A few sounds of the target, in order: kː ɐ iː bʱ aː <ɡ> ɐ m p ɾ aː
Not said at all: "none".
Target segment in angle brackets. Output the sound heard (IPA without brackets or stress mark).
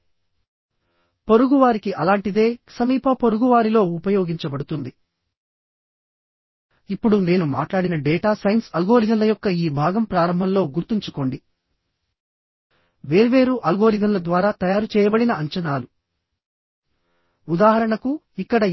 ɡ